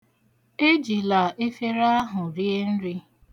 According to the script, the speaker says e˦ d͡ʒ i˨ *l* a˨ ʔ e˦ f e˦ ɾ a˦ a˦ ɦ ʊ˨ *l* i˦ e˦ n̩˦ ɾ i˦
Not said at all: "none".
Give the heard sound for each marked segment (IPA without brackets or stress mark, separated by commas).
l, ɾ